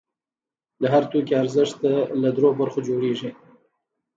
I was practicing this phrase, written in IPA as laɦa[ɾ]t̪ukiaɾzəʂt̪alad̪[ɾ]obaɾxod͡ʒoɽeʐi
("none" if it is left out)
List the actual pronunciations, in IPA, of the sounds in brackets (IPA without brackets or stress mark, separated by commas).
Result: ɾ, ɾ